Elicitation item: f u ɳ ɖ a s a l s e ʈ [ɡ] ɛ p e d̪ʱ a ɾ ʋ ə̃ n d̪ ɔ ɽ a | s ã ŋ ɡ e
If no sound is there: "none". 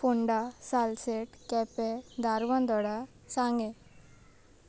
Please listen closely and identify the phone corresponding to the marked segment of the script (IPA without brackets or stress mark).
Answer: k